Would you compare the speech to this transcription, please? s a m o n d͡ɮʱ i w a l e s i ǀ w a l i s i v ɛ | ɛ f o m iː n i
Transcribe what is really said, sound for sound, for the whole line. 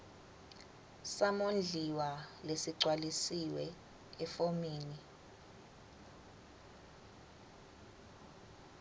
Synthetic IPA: s a m o n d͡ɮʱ i w a l e s i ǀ w a l i s i w ɛ | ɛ f o m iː n i